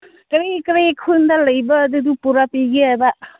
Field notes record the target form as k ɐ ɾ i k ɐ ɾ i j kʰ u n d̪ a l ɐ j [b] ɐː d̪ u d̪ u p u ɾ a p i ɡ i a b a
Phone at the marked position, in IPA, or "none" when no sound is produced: b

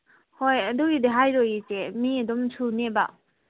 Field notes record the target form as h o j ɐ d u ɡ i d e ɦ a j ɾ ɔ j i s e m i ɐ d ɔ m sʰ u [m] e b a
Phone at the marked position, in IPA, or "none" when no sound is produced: n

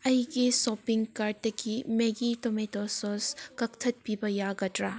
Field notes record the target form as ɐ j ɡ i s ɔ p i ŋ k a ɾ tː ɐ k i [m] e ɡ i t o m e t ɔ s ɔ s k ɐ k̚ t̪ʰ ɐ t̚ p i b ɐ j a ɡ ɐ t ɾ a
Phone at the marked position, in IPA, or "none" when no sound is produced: m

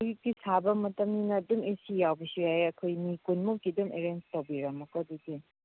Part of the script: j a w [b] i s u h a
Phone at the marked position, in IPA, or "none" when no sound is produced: b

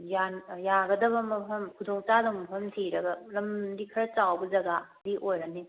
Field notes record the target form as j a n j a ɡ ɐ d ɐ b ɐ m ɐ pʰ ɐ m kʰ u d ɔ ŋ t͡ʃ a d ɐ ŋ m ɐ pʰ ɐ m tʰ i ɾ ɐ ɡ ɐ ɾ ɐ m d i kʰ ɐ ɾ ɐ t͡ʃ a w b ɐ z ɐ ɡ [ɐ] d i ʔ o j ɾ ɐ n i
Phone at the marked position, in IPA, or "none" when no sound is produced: a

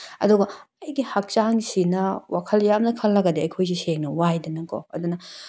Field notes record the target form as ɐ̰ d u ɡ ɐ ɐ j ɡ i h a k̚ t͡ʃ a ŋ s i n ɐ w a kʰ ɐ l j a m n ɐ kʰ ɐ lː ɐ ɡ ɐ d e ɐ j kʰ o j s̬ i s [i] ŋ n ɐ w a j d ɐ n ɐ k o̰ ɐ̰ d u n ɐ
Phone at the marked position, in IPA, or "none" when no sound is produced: e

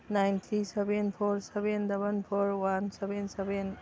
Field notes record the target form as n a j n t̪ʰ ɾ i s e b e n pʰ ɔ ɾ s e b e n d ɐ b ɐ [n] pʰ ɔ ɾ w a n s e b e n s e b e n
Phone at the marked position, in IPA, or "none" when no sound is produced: n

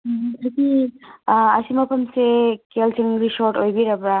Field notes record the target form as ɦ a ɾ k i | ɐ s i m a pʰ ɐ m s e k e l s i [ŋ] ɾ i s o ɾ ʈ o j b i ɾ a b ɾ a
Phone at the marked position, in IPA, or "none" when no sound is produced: ŋ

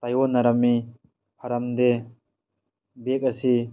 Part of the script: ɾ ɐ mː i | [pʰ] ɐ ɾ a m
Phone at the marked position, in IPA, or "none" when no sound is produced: pʰ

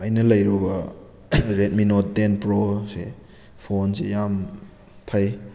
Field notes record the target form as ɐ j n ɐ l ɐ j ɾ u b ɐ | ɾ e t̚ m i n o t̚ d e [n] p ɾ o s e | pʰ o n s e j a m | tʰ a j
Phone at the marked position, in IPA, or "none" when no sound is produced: n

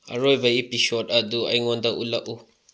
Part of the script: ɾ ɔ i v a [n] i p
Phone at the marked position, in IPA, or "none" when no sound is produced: none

